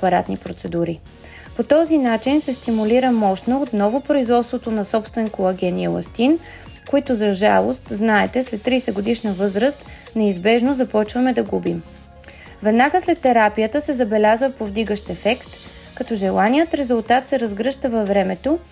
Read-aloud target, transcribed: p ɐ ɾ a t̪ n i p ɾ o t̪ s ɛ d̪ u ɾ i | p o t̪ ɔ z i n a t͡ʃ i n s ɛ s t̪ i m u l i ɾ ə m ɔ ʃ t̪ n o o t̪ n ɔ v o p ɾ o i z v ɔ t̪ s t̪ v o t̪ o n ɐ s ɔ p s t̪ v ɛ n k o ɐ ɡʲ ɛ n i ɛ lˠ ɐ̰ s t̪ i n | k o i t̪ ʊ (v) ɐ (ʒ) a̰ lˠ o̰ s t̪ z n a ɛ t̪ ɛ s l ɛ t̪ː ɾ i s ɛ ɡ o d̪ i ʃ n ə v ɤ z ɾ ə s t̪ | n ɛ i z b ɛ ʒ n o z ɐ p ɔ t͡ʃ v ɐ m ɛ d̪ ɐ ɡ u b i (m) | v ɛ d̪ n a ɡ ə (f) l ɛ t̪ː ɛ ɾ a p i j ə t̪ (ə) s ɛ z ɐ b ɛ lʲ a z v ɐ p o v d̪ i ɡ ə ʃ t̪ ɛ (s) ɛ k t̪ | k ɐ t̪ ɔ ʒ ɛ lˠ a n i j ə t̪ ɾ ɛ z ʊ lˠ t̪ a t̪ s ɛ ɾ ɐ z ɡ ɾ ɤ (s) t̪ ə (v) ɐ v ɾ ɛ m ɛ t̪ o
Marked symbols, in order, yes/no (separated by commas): no, yes, yes, no, yes, no, no, yes